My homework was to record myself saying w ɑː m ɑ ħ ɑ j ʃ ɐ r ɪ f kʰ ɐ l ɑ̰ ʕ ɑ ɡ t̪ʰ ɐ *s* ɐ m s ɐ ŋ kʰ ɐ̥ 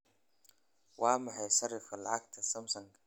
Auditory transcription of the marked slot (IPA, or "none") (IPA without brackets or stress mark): s